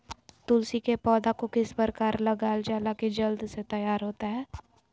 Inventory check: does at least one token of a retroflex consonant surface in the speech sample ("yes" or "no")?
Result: no